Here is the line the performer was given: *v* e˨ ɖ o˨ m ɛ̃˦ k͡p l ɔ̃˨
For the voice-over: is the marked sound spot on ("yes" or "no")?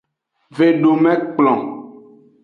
yes